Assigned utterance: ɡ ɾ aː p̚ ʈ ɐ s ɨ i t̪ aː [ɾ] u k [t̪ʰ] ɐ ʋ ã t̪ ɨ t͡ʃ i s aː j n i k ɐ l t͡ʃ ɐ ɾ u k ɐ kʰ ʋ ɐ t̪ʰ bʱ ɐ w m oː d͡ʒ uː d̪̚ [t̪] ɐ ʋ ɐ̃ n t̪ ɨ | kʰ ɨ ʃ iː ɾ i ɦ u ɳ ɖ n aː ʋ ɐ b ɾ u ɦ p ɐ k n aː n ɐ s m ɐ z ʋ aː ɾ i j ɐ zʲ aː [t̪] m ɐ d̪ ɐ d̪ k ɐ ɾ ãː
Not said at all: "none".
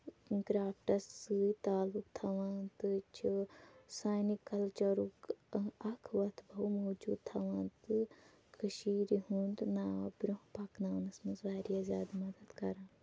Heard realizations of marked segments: l, t̪ʰ, t̪ʰ, d̪

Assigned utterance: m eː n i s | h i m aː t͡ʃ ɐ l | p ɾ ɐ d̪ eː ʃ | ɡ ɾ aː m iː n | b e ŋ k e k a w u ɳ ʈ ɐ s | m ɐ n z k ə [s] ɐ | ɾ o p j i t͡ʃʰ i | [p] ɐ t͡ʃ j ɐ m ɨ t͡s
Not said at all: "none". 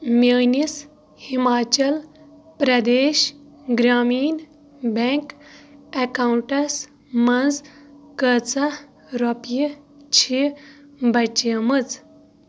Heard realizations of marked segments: t͡s, b

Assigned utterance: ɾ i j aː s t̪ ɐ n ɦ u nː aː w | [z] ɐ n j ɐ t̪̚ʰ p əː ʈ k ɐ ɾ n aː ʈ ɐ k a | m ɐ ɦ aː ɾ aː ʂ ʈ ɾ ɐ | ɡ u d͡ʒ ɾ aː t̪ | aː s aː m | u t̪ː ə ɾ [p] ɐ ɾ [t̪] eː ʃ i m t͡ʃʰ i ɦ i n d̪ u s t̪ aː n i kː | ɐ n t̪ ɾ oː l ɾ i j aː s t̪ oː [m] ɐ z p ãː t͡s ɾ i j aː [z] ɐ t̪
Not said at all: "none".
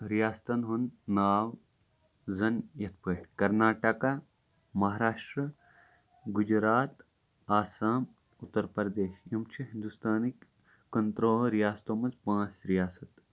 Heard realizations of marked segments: z, p, d̪, m, s

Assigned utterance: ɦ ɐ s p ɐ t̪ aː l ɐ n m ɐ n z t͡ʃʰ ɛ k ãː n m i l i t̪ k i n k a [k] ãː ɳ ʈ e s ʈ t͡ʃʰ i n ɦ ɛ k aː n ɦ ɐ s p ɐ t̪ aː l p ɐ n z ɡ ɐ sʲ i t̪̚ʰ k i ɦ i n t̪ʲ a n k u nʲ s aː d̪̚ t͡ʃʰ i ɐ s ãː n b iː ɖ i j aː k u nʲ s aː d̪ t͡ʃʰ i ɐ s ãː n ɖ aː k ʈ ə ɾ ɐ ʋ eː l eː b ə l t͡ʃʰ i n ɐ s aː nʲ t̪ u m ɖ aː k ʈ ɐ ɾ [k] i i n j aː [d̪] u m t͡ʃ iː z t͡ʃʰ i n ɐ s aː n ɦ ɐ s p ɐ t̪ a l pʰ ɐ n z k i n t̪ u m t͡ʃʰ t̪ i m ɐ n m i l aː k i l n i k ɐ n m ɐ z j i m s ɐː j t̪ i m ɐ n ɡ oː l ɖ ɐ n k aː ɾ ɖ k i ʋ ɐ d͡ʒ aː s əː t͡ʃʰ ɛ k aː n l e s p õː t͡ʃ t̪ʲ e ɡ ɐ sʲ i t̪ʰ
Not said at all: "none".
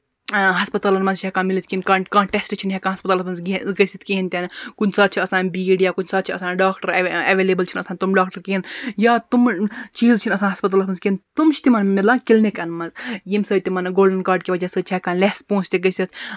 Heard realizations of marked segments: k, k, t̪

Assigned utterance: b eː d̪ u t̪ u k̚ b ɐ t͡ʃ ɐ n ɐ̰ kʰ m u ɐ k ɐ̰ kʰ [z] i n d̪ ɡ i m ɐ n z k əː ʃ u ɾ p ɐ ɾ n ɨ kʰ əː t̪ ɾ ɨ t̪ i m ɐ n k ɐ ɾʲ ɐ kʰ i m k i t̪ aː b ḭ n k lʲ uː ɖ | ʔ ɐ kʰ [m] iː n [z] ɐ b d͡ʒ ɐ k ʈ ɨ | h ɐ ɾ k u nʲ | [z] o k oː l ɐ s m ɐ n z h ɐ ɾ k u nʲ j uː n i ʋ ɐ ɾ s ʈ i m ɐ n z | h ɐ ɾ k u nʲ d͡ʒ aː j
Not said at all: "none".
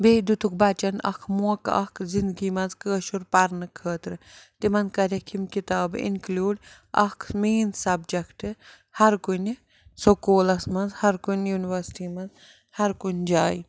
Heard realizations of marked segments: z, m, s, s

